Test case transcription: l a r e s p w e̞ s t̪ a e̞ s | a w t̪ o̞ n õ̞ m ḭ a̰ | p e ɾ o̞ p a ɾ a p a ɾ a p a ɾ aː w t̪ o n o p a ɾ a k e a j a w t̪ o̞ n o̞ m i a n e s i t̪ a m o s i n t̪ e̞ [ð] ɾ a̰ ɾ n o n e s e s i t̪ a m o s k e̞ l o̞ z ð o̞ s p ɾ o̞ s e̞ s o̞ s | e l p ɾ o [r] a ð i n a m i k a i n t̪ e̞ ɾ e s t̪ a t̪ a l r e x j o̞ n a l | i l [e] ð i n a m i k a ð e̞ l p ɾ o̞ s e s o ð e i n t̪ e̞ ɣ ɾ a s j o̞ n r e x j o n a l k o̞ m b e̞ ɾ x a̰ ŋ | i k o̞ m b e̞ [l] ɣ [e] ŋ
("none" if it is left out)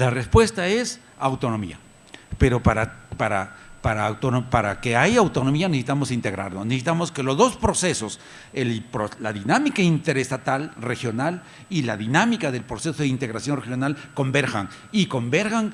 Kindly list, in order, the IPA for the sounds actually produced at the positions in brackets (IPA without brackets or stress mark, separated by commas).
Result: ɣ, l, a, ɾ, a